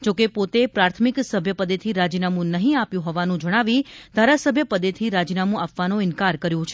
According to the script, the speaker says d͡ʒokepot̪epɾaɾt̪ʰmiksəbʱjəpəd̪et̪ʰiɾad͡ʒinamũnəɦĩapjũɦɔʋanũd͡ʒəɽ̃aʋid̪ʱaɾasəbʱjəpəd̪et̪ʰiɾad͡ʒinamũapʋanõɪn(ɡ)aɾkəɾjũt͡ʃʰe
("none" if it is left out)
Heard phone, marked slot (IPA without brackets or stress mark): k